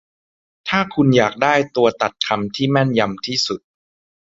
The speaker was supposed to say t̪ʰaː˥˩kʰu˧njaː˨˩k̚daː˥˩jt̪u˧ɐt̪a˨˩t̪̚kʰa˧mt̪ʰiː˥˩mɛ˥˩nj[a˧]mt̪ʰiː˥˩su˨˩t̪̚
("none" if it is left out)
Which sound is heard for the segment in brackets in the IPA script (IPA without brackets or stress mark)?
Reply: a˧